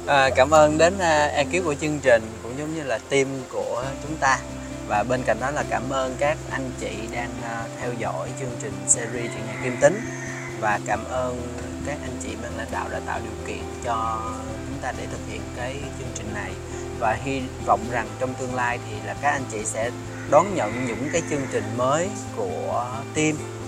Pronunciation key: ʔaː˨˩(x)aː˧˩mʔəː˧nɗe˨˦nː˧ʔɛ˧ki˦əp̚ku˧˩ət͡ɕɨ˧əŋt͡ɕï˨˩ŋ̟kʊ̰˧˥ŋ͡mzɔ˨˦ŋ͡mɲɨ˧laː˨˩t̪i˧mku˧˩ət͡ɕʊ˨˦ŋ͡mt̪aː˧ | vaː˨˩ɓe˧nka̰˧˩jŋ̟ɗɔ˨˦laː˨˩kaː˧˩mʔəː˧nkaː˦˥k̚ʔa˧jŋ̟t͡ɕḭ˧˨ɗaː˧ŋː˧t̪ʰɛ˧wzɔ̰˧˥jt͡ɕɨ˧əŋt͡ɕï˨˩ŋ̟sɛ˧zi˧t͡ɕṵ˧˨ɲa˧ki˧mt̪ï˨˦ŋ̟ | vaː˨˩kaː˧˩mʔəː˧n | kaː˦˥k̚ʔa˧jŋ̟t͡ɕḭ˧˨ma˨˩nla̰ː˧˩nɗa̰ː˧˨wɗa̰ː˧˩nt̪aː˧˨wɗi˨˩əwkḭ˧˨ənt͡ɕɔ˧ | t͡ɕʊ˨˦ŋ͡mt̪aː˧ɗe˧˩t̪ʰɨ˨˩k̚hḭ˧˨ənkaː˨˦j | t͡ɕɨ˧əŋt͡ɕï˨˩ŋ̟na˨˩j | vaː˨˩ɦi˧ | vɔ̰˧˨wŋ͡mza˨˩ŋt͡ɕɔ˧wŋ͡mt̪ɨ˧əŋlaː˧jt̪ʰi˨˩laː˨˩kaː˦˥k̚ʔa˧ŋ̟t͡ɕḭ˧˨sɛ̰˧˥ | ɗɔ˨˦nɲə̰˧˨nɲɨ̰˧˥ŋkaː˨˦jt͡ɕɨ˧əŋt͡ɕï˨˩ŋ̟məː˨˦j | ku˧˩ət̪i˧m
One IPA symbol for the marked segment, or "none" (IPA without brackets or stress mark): k